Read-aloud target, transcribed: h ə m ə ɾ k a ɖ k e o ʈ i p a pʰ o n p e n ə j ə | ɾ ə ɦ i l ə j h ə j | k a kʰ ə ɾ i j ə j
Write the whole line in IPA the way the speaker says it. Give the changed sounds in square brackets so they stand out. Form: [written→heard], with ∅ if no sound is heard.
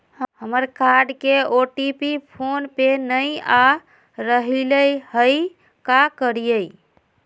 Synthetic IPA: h ə m ə ɾ k a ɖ k e o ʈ i p [a→i] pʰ o n p e n ə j [ə→a] | ɾ ə ɦ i l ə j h ə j | k a [kʰ→k] ə ɾ i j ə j